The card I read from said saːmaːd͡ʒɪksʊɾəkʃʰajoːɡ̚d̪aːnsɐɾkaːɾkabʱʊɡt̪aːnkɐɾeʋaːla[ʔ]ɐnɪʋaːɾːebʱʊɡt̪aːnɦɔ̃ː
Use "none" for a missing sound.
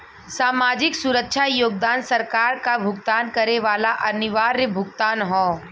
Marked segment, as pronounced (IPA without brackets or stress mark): ʔ